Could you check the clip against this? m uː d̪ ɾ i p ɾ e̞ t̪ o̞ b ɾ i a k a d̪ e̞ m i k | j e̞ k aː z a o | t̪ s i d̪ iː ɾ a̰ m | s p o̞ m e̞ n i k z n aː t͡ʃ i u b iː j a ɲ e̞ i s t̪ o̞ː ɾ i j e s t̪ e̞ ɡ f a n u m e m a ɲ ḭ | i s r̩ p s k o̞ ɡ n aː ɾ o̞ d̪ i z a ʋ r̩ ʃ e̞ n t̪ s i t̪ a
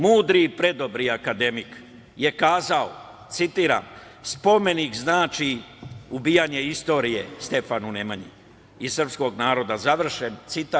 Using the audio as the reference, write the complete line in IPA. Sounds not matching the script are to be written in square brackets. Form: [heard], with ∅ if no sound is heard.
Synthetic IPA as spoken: m uː d̪ ɾ i p ɾ e̞ [d̪] o̞ b ɾ i a k a d̪ e̞ m i k | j e̞ k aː z a o | t̪ s i [t̪] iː ɾ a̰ m | s p o̞ m e̞ n i k z n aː t͡ʃ i u b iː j a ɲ e̞ i s t̪ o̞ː ɾ i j e s t̪ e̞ [∅] f a n u [n] e m a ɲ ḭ | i s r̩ p s k o̞ ɡ n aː ɾ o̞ d̪ [a] z a ʋ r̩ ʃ e̞ n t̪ s i t̪ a